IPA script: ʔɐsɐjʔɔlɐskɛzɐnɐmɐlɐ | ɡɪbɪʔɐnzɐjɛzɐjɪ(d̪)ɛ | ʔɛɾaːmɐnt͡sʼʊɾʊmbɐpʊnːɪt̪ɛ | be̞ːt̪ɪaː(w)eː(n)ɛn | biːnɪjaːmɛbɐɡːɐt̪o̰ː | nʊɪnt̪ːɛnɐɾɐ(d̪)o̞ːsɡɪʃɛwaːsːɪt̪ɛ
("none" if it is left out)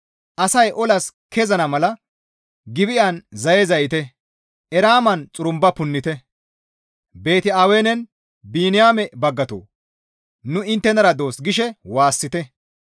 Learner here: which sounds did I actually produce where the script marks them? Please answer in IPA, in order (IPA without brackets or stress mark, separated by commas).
t̪, w, n, d̪